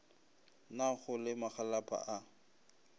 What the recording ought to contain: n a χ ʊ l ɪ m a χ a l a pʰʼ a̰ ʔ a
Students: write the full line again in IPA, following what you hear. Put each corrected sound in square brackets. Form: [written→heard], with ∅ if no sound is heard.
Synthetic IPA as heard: n a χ ʊ l ɪ m a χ a l a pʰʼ a̰ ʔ a